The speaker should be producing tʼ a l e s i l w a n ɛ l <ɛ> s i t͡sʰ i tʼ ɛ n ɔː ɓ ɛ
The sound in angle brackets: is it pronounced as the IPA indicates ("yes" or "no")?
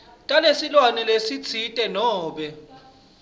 no